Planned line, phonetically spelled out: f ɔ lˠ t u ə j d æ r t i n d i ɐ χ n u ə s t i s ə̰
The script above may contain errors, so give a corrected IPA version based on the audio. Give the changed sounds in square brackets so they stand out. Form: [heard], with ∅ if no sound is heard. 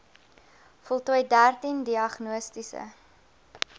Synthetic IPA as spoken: f ɔ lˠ t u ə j d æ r t i n d i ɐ χ n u ə s t i s ə̰